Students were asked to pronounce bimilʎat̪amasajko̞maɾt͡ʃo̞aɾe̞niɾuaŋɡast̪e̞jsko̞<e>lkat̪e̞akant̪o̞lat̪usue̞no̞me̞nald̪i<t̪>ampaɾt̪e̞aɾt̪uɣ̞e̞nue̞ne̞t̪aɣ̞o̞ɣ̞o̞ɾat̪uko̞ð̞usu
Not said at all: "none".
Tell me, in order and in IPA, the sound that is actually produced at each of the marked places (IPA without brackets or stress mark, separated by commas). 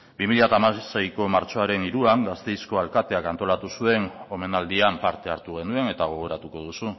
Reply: a, none